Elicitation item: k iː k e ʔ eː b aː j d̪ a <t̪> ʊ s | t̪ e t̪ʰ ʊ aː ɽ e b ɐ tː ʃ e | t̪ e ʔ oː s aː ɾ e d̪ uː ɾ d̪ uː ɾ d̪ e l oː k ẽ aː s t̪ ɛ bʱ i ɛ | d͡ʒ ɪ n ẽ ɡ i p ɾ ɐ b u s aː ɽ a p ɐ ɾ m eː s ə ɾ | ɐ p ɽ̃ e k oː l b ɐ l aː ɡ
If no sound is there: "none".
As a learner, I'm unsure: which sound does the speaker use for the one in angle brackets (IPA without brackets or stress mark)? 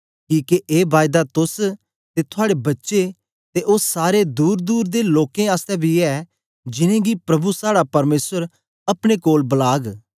t̪